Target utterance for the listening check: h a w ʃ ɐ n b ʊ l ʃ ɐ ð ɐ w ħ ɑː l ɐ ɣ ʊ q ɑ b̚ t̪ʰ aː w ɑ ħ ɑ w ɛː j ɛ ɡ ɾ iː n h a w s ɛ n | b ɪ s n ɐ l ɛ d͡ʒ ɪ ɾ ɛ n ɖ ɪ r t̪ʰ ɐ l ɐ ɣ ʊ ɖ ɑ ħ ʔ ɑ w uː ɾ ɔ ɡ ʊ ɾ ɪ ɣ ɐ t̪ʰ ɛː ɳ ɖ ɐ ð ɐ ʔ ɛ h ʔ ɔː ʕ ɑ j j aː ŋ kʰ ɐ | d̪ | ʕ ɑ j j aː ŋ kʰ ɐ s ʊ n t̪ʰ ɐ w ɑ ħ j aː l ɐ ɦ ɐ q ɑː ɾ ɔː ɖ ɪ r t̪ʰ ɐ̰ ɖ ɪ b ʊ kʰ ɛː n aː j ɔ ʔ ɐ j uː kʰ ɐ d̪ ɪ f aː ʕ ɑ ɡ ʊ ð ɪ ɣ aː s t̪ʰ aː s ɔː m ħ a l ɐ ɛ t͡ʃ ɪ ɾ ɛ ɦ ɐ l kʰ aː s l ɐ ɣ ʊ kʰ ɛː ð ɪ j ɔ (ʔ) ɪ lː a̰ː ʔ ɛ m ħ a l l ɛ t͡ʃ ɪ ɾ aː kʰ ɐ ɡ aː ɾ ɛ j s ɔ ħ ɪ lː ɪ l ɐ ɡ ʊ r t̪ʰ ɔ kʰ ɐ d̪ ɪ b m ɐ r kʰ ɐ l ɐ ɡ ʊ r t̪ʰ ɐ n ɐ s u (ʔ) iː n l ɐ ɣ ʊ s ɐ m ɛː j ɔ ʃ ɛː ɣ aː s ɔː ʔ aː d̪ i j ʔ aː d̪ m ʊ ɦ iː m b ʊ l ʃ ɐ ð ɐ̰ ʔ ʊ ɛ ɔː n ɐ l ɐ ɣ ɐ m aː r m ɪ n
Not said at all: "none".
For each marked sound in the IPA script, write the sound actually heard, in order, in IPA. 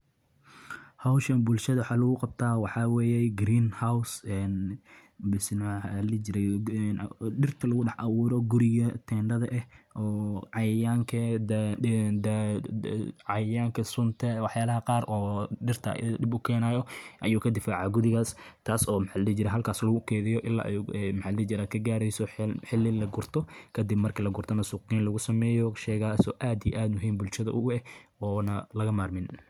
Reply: ʔ, q

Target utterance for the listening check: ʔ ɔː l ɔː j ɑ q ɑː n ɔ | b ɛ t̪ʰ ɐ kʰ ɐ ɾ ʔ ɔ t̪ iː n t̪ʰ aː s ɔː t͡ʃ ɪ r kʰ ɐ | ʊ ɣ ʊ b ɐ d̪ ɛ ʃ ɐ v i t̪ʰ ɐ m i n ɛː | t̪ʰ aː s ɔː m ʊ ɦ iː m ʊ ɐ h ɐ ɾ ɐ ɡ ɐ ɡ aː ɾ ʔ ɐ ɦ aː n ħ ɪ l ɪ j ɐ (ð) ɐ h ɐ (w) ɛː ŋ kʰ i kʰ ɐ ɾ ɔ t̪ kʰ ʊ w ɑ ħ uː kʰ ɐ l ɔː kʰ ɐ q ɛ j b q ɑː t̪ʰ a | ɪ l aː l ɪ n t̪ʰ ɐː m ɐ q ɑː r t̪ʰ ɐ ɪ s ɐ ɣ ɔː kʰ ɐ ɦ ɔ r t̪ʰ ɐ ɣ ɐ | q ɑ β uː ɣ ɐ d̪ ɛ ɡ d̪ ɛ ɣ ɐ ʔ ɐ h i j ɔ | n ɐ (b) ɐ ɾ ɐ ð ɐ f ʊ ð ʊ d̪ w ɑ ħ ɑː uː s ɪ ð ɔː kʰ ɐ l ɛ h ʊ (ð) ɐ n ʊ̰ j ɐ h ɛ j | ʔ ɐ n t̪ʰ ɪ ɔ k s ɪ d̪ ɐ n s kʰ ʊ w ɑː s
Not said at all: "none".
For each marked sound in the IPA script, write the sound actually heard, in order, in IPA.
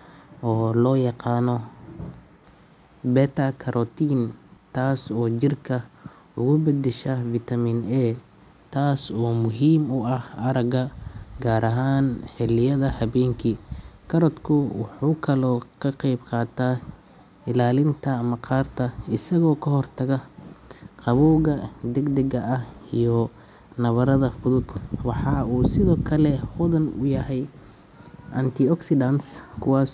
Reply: ð, β, β, ð

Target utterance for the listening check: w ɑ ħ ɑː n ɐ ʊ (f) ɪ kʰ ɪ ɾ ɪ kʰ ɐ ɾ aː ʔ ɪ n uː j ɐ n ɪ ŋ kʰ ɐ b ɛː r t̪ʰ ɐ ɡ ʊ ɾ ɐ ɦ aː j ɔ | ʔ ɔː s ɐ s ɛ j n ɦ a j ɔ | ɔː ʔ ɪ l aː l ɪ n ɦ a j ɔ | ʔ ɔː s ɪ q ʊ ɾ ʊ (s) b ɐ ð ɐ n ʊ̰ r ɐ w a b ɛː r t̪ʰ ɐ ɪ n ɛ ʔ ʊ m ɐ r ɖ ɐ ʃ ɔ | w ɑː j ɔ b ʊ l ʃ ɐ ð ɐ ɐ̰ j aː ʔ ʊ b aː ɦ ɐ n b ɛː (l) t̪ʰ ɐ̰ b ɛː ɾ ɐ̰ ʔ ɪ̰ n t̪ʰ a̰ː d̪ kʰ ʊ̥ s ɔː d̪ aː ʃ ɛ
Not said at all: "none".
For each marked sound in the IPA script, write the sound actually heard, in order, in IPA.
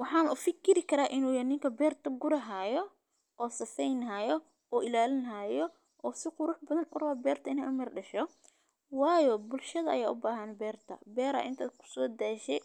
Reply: f, ħ, r

